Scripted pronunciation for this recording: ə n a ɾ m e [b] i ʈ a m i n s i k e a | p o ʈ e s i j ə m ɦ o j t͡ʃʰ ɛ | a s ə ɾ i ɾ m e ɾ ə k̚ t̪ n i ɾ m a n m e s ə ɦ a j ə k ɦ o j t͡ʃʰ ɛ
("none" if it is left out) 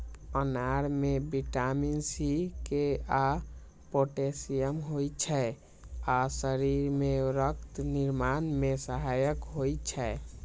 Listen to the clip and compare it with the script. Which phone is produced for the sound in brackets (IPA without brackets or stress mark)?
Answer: b